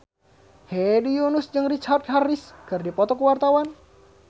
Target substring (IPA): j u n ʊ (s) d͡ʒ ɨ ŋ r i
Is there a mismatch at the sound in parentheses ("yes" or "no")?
no